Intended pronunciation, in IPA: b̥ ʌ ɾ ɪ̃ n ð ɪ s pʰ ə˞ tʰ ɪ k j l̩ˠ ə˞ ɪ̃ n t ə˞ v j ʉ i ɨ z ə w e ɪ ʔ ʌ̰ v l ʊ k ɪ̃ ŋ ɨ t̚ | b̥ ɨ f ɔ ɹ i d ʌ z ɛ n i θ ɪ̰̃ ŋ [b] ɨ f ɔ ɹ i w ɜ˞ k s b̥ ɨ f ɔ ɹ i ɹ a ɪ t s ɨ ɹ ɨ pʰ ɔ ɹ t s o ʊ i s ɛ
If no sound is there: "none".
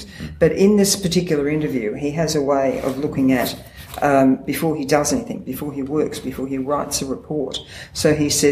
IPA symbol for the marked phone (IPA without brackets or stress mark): b